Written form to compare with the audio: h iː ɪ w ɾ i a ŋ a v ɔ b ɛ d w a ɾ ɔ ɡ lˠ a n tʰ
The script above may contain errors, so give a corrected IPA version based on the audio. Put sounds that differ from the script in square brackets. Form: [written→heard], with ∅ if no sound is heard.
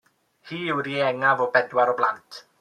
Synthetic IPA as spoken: h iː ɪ w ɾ i [a→ɛ] ŋ a v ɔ b ɛ d w a ɾ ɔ [ɡ→b] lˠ a n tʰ